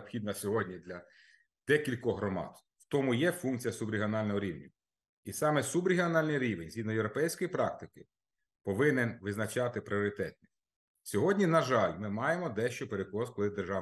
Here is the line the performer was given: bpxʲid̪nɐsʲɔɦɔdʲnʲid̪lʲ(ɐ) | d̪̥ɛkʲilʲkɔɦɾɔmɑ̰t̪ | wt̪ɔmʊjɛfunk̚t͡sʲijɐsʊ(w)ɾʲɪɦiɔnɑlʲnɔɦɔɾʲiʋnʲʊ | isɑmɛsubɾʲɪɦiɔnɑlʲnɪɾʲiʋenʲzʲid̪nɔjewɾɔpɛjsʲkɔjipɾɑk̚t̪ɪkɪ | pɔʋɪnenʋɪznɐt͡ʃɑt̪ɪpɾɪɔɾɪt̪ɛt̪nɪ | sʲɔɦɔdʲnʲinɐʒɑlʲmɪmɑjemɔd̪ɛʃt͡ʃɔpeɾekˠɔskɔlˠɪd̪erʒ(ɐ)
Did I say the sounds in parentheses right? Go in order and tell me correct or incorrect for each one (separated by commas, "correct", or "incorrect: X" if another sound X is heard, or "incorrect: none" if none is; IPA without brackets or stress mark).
correct, incorrect: b, incorrect: ɑ